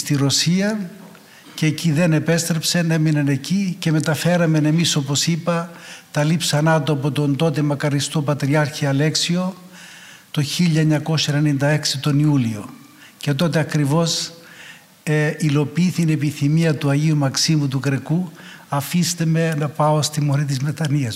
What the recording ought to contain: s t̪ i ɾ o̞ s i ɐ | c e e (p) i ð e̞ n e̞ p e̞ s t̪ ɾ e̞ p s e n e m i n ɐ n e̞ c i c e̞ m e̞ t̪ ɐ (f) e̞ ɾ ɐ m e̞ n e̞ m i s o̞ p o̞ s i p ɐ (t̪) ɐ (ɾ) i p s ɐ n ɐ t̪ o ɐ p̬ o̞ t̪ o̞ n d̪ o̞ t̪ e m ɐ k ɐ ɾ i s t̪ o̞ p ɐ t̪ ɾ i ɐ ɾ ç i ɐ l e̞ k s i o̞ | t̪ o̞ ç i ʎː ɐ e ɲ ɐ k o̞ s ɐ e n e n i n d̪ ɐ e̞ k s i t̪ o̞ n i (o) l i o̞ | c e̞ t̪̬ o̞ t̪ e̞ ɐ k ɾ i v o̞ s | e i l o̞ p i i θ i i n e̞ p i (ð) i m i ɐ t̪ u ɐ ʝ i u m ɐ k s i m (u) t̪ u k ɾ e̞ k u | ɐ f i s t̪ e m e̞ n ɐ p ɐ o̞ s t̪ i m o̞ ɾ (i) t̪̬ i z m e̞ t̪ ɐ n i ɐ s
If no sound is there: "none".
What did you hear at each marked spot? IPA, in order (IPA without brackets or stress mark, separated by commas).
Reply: c, f, t̪, l, u, θ, u, i